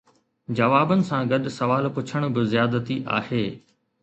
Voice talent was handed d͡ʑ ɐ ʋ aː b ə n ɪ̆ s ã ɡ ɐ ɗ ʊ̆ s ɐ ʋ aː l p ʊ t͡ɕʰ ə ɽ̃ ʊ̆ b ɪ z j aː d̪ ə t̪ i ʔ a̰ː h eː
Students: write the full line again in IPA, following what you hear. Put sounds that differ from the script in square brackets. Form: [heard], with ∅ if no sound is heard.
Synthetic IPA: d͡ʑ ɐ ʋ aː b ə n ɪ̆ s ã ɡ ɐ ɗ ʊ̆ s ɐ ʋ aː l p ʊ t͡ɕʰ ə ɽ̃ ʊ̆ b ɪ z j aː d̪ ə t̪ i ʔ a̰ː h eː

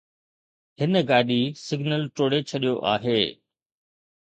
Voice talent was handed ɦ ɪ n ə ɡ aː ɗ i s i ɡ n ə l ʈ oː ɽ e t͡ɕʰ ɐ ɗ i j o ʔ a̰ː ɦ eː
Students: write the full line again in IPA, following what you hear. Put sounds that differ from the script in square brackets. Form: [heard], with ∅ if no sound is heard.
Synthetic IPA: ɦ ɪ n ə ɡ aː ɗ i s [ɪ] ɡ n ə l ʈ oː ɽ e t͡ɕʰ ɐ ɗ i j o ʔ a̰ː ɦ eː

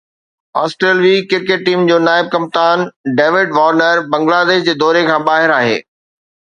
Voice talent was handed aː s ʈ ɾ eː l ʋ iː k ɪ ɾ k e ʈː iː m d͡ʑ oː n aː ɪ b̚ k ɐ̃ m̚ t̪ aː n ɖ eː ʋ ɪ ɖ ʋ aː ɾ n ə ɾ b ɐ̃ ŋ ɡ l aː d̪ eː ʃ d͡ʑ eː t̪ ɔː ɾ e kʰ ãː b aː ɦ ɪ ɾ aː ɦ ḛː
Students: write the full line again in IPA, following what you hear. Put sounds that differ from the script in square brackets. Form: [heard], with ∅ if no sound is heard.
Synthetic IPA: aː s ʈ ɾ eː l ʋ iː k ɪ ɾ k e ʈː iː m d͡ʑ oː n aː ɪ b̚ k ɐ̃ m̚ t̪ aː n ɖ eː ʋ ɪ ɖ ʋ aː ɾ n ə ɾ b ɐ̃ ŋ ɡ l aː d̪ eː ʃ d͡ʑ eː [d̪] ɔː ɾ e kʰ ãː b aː ɦ ɪ ɾ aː ɦ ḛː

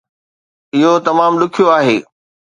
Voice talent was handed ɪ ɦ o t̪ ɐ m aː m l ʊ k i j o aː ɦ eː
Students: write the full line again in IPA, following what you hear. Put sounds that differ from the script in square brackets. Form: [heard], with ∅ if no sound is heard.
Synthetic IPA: ɪ ɦ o t̪ ɐ m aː m l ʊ [kʰ] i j o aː ɦ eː

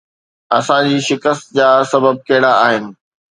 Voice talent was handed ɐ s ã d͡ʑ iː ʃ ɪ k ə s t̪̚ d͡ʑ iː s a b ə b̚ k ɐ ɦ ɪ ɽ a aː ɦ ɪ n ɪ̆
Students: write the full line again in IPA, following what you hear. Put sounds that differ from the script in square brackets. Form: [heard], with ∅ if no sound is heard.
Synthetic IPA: ɐ s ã d͡ʑ iː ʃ ɪ k ə s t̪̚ d͡ʑ [aː] s [ɐ] b ə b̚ k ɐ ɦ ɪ ɽ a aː ɦ ɪ n ɪ̆

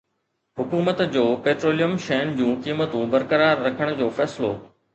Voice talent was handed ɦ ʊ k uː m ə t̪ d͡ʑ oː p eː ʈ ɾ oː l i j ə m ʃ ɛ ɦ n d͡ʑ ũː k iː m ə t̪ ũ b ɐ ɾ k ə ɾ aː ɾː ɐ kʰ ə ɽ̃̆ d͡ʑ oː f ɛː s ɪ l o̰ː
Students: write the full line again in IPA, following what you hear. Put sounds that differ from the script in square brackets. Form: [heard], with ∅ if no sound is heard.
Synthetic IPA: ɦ ʊ k uː m ə t̪ d͡ʑ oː p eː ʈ ɾ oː l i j ə m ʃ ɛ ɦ n d͡ʑ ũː k iː m ə t̪ ũ b ɐ ɾ k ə ɾ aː ɾː ɐ kʰ ə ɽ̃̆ d͡ʑ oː f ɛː s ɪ l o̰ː

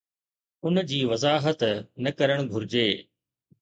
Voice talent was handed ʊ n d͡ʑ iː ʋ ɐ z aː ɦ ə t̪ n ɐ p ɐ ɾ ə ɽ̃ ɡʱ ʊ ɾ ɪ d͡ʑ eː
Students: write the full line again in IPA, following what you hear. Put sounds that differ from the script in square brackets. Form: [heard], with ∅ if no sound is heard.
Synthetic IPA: ʊ n d͡ʑ iː ʋ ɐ z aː ɦ ə t̪ n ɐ [k] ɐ ɾ ə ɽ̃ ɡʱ ʊ ɾ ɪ d͡ʑ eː

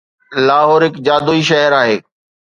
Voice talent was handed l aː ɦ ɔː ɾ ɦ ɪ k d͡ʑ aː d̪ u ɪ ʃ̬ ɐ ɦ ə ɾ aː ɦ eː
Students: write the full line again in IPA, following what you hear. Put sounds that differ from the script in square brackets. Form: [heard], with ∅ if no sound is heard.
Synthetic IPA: l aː ɦ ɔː ɾ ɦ ɪ k d͡ʑ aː d̪ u [i] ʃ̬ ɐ ɦ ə ɾ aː ɦ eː

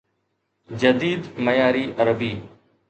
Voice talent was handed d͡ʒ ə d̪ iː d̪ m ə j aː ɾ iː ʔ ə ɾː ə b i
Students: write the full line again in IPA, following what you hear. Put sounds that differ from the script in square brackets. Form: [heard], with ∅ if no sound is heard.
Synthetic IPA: d͡ʒ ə d̪ iː d̪ m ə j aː ɾ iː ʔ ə [ɾ] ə b [iː]

